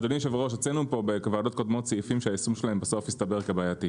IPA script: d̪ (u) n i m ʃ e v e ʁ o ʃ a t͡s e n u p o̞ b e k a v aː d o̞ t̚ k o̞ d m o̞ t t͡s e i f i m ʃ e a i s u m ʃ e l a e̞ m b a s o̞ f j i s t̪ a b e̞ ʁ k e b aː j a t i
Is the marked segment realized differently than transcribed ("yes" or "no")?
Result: yes